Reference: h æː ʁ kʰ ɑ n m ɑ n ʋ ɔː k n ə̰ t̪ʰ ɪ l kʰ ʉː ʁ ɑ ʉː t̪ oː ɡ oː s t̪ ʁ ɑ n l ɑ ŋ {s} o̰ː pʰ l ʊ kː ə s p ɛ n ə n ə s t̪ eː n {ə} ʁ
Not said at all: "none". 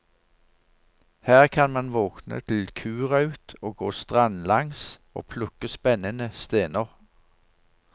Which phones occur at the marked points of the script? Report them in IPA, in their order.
s, ə

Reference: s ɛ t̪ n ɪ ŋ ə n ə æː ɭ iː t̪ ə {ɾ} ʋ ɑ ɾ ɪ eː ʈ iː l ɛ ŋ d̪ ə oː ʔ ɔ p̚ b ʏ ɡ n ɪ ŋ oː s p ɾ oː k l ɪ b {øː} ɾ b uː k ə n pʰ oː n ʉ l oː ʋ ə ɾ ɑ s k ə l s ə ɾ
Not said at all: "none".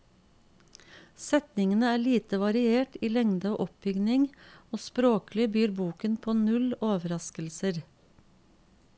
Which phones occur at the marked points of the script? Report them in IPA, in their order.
none, yː

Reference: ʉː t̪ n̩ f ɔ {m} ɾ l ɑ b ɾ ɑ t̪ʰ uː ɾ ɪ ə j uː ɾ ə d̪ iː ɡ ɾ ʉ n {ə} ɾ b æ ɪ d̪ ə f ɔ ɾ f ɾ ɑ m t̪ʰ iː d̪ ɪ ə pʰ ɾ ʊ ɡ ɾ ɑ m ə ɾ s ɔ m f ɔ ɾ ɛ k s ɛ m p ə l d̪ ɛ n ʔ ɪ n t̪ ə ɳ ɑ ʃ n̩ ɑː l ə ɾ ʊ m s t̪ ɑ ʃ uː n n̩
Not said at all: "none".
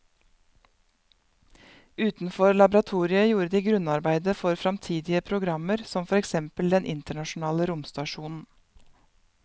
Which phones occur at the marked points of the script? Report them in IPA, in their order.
none, ɑ

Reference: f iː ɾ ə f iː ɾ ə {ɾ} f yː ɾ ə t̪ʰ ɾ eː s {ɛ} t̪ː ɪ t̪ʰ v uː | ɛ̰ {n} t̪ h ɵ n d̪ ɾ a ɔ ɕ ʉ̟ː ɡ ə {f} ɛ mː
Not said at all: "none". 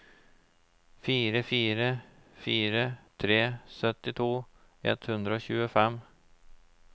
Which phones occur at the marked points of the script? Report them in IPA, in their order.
none, œ, none, f

